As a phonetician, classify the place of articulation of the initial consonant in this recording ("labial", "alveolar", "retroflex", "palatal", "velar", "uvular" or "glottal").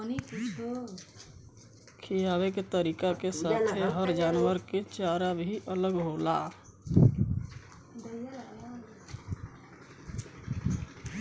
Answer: alveolar